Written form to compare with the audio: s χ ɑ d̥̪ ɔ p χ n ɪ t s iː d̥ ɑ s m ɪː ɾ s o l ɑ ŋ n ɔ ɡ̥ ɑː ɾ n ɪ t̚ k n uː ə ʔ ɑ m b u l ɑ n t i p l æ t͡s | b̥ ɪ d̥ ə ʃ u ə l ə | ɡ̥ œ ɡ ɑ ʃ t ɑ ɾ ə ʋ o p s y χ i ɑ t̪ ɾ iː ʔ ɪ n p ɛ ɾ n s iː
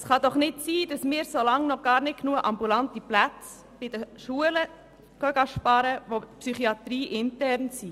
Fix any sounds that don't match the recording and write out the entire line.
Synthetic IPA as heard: s χ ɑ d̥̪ ɔ χ n ɪ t s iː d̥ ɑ s m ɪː ɾ s o l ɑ ŋ n ɔ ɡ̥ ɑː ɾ n ɪ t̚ k n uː ə ʔ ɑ m b u l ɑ n t i p l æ t͡s | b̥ ɪ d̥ ə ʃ u ə l ə | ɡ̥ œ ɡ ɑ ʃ p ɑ ɾ ə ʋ o p s y χ i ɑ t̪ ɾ iː ʔ ɪ n t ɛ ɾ n s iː